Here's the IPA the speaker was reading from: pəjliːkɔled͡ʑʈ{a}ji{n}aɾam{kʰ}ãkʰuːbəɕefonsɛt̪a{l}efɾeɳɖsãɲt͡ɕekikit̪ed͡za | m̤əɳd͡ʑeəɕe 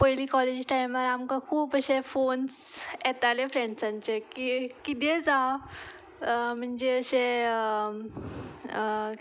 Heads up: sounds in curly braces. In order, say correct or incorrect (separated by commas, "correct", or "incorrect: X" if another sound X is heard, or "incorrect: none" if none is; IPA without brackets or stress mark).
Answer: correct, incorrect: m, incorrect: k, correct